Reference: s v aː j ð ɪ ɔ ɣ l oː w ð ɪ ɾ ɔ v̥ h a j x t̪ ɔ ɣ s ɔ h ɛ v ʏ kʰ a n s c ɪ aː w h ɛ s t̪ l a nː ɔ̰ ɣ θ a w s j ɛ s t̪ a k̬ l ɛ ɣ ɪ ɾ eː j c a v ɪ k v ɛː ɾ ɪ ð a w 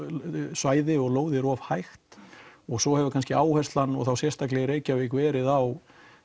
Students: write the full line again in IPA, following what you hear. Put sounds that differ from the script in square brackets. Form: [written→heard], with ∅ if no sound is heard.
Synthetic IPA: s v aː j ð ɪ ɔ ɣ l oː w ð ɪ ɾ ɔ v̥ h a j x t̪ ɔ ɣ s ɔ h ɛ v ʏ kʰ a n s c ɪ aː w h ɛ s t̪ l a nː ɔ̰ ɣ θ a w s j ɛ s t̪ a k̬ l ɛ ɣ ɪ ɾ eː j c a v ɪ k v ɛː ɾ ɪ ð a w